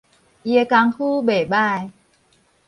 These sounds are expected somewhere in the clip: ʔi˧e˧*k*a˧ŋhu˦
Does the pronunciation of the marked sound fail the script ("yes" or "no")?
no